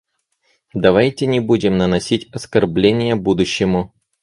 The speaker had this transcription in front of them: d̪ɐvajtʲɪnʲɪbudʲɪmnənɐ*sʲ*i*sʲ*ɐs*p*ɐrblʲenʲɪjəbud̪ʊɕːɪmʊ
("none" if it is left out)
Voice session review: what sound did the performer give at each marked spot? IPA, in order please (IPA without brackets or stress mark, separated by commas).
sʲ, tʲ, k